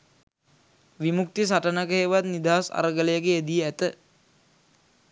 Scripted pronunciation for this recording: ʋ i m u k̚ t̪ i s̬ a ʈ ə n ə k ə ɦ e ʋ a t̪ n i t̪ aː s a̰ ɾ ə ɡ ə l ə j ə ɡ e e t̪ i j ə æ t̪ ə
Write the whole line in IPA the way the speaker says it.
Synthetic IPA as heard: ʋ i m u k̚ t̪ i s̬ a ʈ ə n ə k ə ɦ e ʋ a t̪ n i d̪ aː s a̰ ɾ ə ɡ ə l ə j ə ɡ e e d̪ i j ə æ t̪ ə